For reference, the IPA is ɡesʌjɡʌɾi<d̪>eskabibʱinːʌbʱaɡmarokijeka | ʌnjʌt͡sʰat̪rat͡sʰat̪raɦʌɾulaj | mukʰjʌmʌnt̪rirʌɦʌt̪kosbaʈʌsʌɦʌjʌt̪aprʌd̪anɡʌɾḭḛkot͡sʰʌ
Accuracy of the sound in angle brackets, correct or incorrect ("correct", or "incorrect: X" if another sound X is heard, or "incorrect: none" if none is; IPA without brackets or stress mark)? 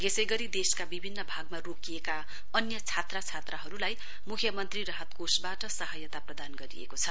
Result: correct